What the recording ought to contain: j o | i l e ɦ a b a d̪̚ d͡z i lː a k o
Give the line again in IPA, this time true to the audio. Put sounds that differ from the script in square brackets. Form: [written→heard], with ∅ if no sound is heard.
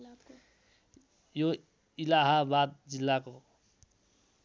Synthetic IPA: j o | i l [e→a] ɦ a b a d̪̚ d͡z i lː a k o